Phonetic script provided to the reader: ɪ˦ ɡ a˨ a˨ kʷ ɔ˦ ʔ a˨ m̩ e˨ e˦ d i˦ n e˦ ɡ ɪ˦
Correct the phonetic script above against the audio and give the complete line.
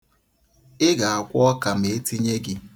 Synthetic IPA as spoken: ɪ˦ ɡ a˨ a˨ kʷ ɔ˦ k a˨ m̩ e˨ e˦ t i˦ ɲ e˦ ɡ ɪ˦